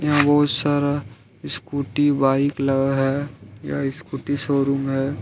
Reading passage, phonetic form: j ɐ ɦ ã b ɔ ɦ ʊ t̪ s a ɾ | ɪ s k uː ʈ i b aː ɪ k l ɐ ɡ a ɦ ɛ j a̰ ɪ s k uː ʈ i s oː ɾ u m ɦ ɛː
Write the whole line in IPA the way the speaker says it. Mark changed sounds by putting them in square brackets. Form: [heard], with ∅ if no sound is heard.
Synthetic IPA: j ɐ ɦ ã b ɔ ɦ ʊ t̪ s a ɾ | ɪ s k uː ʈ i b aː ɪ k l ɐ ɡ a ɦ ɛ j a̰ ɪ s k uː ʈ i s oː ɾ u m ɦ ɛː

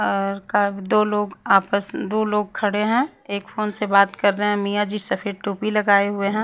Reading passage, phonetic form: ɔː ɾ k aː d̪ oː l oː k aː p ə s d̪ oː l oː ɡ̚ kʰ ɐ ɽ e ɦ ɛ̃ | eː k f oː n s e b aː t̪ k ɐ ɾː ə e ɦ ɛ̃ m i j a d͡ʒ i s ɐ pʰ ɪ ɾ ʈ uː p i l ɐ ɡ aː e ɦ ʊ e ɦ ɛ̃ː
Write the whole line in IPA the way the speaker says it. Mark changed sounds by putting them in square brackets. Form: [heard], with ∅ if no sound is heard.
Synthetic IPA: ɔː ɾ k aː d̪ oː l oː [ɡ] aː p ə s d̪ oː l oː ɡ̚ kʰ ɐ ɽ e ɦ ɛ̃ | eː k f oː n s e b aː t̪ k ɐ ɾː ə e ɦ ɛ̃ m i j a d͡ʒ i s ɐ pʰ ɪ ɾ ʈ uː p i l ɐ ɡ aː e ɦ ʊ e ɦ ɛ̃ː

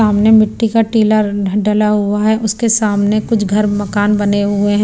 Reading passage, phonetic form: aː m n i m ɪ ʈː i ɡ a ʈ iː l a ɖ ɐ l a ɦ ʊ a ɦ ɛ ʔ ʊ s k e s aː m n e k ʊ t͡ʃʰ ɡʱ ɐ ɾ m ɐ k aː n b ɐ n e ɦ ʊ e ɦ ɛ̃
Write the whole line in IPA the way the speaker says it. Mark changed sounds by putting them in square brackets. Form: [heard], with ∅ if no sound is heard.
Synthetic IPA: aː m n [e] m ɪ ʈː i [k] a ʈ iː l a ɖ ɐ l a ɦ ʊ a ɦ ɛ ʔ ʊ s k e s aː m n e k ʊ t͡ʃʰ ɡʱ ɐ ɾ m ɐ k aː n b ɐ n e ɦ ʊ e ɦ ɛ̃

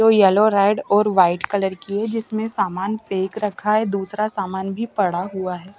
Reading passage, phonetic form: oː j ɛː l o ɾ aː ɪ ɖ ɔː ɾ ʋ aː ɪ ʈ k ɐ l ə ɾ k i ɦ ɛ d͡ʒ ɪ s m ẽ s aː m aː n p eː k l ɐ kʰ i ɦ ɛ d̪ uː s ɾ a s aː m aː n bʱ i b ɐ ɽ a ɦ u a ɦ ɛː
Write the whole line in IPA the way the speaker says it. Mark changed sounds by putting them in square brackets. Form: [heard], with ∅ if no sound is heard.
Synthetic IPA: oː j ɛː l o ɾ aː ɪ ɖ ɔː ɾ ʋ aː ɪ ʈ k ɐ l ə ɾ k i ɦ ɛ d͡ʒ ɪ s m ẽ s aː m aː n p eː k [ɾ] ɐ kʰ [a] ɦ ɛ d̪ uː s ɾ a s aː m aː n bʱ i [p] ɐ ɽ a ɦ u a ɦ ɛː

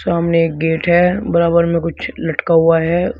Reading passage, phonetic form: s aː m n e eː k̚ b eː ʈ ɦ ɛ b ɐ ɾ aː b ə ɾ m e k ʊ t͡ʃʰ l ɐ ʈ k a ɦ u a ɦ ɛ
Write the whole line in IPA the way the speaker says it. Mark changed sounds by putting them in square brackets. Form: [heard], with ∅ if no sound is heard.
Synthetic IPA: s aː m n e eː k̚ [ɡ] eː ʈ ɦ ɛ b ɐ ɾ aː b ə ɾ m [ẽ] k ʊ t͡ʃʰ l ɐ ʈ k a ɦ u a ɦ ɛ

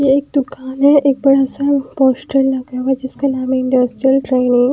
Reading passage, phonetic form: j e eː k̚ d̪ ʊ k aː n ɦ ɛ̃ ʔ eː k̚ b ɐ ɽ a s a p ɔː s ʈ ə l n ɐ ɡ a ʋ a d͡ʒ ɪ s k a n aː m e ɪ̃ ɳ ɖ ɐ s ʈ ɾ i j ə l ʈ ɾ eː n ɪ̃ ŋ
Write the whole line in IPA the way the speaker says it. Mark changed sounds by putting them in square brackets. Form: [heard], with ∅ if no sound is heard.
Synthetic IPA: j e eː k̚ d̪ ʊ k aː n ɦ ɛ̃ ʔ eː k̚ b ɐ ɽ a s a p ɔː s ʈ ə l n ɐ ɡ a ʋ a d͡ʒ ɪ s k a n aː m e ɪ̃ ɳ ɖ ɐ s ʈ ɾ i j ə l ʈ ɾ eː n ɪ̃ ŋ

